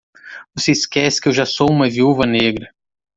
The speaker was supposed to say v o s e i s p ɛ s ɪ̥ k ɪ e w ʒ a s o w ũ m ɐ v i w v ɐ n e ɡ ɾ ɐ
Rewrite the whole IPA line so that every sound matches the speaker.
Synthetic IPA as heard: v o s e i s k ɛ s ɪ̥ k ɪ e w ʒ a s o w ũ m ɐ v i u v ɐ n e ɡ ɾ ɐ